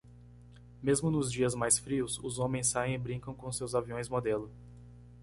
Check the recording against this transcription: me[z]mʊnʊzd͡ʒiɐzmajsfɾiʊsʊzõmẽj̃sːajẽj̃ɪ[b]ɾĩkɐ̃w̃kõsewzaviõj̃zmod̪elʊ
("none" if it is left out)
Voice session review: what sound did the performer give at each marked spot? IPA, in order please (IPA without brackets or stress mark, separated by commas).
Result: z, b